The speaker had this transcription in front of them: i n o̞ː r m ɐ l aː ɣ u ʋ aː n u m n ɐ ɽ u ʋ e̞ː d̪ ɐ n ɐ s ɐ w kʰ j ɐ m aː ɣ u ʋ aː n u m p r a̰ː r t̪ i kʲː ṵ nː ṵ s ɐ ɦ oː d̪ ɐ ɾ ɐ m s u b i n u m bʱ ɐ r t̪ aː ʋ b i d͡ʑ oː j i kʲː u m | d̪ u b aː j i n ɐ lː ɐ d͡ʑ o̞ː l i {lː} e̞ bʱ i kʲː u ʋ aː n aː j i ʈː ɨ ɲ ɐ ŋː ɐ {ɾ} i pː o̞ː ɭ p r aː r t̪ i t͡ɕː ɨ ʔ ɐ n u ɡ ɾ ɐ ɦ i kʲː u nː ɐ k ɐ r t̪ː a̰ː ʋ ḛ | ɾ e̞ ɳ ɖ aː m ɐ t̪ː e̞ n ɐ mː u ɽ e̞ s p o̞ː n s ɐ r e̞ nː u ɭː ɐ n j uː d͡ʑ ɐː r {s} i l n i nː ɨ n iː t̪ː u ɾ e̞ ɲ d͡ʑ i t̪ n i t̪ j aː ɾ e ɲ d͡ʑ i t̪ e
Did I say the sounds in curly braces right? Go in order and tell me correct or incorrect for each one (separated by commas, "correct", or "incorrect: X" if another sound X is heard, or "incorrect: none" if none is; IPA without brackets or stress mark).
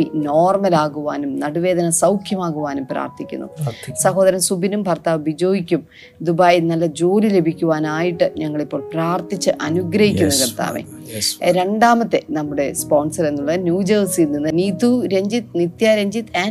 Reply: incorrect: l, incorrect: ɭ, correct